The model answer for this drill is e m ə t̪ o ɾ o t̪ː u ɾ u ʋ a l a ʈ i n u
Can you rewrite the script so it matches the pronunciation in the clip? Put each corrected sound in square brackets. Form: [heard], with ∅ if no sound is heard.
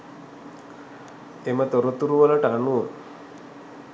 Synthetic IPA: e m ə t̪ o ɾ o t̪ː u ɾ u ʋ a l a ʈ [a] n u